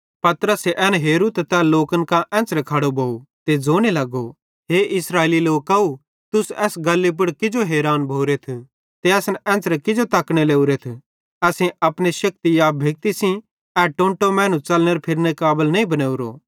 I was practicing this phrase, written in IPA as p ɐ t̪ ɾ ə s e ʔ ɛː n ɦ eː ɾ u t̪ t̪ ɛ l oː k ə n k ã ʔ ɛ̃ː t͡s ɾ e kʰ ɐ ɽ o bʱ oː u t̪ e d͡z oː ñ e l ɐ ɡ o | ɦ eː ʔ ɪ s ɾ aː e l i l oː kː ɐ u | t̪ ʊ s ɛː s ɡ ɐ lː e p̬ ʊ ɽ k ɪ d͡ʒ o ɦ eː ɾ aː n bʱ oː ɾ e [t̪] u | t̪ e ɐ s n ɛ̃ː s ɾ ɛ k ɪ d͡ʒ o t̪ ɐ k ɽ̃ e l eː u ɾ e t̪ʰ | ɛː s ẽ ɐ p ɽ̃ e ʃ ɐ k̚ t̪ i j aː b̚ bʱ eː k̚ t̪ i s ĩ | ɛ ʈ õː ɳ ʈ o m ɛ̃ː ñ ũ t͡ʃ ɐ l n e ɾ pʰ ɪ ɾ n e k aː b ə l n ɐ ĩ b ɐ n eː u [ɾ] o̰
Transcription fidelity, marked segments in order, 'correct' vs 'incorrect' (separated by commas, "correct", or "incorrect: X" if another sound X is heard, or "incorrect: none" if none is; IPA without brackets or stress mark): incorrect: t̪ʰ, correct